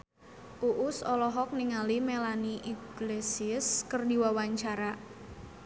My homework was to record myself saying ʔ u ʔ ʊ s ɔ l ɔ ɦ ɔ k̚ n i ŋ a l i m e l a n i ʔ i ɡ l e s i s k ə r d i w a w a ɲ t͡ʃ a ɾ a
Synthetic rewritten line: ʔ u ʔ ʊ s ɔ l ɔ ɦ ɔ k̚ n i ŋ a l i m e l a n i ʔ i ɡ l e s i s k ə r d i w a w a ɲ t͡ʃ a ɾ a